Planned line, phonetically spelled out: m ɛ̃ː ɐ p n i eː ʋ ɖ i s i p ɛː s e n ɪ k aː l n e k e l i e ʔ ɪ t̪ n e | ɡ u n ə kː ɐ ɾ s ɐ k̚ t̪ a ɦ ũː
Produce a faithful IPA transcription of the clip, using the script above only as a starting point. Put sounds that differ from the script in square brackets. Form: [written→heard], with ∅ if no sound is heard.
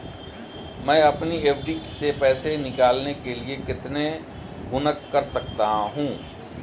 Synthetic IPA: m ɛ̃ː ɐ p n i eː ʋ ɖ i s [i→e] p ɛː s e n ɪ k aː l n e k e l i e [ʔ→k] ɪ t̪ n e | ɡ [u→ʊ] n ə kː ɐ ɾ s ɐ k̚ t̪ a ɦ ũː